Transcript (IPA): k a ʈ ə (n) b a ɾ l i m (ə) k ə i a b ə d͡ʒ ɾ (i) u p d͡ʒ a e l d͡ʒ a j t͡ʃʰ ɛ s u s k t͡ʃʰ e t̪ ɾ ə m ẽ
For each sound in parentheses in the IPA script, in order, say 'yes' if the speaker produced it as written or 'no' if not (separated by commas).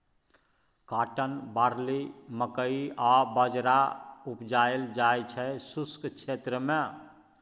yes, yes, no